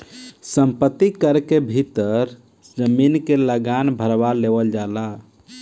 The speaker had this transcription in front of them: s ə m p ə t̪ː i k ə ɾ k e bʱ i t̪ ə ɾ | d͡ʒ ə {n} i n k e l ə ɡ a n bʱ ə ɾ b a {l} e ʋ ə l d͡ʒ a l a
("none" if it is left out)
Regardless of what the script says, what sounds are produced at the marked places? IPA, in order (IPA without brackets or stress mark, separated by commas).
m, l